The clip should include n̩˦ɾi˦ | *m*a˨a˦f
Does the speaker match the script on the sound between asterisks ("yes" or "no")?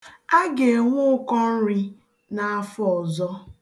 no